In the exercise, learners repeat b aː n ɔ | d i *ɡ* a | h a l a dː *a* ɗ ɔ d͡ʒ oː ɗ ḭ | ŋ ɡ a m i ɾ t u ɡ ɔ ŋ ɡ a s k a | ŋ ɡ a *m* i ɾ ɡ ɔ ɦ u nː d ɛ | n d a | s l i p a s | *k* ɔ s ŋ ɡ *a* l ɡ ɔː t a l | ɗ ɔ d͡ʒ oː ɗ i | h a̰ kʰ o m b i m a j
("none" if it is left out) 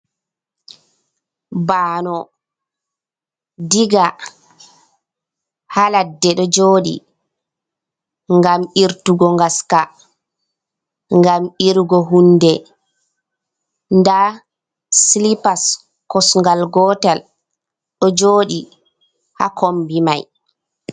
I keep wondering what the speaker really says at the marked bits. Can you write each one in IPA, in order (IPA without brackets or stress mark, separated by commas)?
ɡ, ɛ, m, k, a